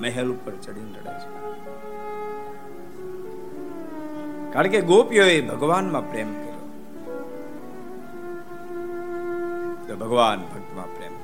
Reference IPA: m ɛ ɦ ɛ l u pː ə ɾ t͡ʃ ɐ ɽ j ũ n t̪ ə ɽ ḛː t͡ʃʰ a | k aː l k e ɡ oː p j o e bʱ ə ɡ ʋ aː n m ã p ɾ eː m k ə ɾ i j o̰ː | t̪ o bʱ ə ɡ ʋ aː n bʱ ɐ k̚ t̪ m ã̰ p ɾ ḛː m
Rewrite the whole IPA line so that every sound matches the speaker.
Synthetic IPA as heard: m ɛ ɦ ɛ l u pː ə ɾ t͡ʃ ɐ ɽ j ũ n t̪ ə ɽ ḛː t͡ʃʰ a | k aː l k e ɡ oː p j o e bʱ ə ɡ ʋ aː n m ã p ɾ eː m k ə ɾ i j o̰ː | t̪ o bʱ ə ɡ ʋ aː n bʱ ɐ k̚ t̪ m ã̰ p ɾ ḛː m